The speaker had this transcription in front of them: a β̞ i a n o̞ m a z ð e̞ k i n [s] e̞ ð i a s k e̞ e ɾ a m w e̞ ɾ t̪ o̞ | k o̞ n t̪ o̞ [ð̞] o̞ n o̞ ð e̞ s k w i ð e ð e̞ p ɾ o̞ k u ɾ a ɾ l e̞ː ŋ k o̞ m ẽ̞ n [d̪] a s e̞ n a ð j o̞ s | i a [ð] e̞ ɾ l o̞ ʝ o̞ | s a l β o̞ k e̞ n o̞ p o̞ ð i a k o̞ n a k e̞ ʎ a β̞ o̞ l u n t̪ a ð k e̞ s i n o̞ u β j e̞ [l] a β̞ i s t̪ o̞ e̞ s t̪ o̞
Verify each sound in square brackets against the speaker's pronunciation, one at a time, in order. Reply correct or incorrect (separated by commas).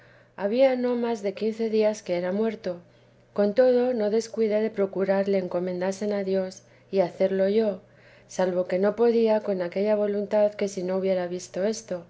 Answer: incorrect, correct, correct, incorrect, incorrect